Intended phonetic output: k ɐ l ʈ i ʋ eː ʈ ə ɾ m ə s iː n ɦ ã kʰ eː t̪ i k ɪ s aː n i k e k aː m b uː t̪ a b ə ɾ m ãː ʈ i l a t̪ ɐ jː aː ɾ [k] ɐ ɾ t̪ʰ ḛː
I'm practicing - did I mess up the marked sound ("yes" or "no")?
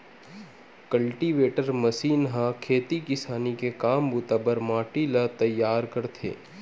no